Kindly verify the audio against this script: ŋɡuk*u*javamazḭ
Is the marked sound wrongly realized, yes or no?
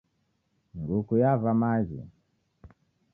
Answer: no